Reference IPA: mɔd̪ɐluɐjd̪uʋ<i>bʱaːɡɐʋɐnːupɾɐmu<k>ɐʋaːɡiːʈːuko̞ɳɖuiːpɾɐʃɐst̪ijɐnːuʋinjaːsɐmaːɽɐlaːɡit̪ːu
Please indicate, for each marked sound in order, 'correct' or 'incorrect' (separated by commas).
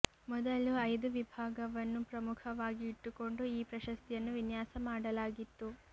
correct, incorrect